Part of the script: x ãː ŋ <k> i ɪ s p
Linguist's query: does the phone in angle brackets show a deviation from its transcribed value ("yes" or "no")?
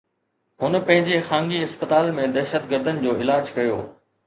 yes